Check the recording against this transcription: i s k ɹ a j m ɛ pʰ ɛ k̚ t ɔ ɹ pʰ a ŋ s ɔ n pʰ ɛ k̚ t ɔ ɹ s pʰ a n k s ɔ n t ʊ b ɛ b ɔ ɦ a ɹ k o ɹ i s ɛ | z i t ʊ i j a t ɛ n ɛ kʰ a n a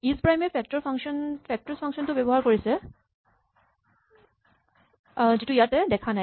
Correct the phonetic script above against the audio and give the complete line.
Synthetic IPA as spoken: i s p ɹ a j m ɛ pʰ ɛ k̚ t ɔ ɹ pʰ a ŋ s ɔ n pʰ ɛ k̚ t ɔ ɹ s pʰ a ŋ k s ɔ n t ʊ b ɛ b ɔ ɦ a ɹ k o ɹ i s ɛ | z i t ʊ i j a t ɛ d ɛ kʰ a n a